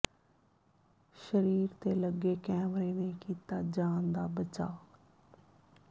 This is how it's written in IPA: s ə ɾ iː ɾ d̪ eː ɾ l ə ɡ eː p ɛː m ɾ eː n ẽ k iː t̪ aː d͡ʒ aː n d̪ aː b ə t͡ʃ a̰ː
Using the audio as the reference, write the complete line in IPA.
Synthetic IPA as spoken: ʃ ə ɾ iː ɾ t̪ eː l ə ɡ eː k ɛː m ɾ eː n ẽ k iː t̪ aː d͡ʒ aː n d̪ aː b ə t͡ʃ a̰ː